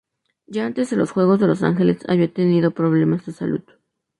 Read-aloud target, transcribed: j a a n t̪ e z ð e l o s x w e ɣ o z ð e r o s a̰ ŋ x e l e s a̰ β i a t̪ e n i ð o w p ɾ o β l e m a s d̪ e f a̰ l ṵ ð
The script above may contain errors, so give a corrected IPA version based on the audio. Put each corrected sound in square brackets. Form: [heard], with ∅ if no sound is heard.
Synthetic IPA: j a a n t̪ e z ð e l o s x w e ɣ o z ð e [l] o s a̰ ŋ x e l e s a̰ β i a t̪ e n i ð o [∅] p ɾ o β l e m a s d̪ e [s] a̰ l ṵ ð